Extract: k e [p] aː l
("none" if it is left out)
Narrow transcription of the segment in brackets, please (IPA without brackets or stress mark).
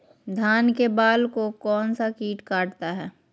b